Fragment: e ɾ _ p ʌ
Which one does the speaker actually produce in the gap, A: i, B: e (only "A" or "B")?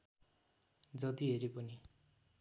A